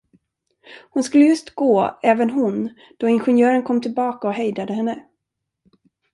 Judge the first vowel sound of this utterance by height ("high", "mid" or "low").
high